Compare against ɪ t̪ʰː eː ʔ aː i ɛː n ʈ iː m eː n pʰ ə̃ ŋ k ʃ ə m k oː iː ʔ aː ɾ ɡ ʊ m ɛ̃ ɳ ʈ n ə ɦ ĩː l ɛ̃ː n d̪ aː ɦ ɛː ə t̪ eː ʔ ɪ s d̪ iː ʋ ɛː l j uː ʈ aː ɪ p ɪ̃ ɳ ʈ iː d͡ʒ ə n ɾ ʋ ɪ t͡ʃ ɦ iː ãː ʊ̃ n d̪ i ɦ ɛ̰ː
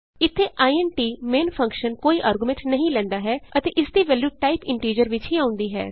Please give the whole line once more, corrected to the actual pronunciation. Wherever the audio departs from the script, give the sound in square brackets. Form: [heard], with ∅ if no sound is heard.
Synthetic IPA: ɪ t̪ʰː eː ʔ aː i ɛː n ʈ iː m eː n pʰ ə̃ ŋ k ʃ ə [n] k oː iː ʔ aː ɾ ɡ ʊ m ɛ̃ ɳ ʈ n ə ɦ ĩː l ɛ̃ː n d̪ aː ɦ ɛː ə t̪ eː ʔ ɪ s d̪ iː ʋ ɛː l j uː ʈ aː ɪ p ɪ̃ ɳ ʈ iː d͡ʒ ə [∅] ɾ ʋ ɪ t͡ʃ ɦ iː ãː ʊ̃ n d̪ [iː] ɦ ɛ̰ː